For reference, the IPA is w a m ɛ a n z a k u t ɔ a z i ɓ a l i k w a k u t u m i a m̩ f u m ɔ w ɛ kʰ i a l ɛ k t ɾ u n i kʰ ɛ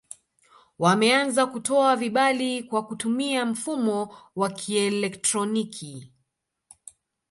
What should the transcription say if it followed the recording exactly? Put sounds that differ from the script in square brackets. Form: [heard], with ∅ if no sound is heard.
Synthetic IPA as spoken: w a m ɛ a n z a k u t ɔ a [v] i ɓ a l i k w a k u t u m i a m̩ f u m ɔ w [a] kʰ i [ɛ] l ɛ k t ɾ [ɔ] n i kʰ [i]